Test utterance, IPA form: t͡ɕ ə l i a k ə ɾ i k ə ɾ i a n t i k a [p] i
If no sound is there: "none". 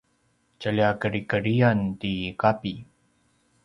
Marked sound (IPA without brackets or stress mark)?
p